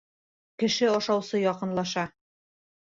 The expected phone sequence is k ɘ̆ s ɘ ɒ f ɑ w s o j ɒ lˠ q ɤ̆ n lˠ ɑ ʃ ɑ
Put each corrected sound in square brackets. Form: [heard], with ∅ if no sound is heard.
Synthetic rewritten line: k ɘ̆ [ʃ] ɘ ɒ [ʃ] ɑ w s [ɤ] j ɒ [∅] q ɤ̆ n lˠ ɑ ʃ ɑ